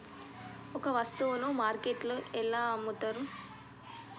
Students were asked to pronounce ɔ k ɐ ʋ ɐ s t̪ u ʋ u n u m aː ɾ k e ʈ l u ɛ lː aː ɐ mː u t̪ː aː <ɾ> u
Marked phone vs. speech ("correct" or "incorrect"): correct